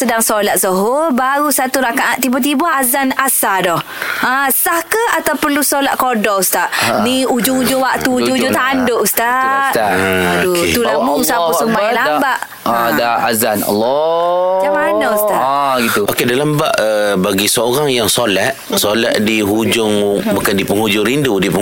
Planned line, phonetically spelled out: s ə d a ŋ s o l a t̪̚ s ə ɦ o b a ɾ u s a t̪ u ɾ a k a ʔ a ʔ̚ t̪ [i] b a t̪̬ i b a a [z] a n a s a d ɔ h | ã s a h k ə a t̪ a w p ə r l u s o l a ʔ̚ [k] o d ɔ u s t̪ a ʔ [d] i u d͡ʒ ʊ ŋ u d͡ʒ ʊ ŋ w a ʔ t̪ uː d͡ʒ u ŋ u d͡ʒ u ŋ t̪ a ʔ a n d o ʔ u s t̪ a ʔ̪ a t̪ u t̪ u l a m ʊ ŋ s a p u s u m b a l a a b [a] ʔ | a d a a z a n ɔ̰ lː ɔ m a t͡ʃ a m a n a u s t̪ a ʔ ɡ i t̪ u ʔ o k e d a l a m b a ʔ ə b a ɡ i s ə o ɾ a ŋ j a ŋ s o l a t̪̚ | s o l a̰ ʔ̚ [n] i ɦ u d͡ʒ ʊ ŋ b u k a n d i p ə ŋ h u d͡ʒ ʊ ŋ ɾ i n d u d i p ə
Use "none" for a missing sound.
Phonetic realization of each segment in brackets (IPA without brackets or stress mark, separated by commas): i, z, k, n, a, d